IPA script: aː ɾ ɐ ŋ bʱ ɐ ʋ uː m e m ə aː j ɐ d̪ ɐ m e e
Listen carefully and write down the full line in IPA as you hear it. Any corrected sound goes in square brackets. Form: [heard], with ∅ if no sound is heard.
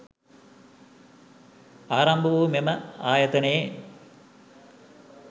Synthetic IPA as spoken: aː ɾ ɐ [m] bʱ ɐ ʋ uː m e m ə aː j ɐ [t̪] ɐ [n] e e

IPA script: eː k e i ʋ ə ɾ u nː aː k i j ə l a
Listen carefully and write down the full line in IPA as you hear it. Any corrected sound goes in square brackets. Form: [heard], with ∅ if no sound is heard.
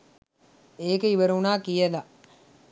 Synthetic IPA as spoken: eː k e i ʋ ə ɾ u [n] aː k i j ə l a

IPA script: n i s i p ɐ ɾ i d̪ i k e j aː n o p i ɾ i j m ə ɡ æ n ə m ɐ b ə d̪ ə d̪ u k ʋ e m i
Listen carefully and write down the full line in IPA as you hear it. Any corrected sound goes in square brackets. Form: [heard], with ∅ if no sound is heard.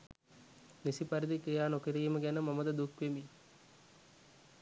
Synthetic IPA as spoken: n i s i p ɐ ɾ i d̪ i k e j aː n o [k] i ɾ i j m ə ɡ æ n ə m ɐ [m] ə d̪ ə d̪ u k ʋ e m i

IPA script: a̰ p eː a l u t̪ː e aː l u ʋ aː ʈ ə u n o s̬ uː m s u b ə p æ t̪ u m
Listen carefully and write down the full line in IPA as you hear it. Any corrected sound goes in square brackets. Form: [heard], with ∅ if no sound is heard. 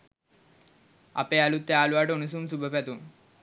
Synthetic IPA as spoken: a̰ p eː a l u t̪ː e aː l u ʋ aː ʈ ə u n [u] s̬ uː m s u b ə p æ t̪ u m

